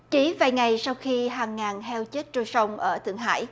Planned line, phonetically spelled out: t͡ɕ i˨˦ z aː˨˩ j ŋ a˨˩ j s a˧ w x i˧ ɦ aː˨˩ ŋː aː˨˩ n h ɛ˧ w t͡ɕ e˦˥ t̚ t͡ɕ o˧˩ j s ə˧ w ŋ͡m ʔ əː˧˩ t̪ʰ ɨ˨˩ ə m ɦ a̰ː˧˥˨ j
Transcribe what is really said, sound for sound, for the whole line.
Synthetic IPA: t͡ɕ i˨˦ v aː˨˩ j ŋ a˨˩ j s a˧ w x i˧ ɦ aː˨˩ ŋː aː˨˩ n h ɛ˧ w t͡ɕ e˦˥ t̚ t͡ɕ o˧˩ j s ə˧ w ŋ͡m ʔ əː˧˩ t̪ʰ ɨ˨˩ ə ŋ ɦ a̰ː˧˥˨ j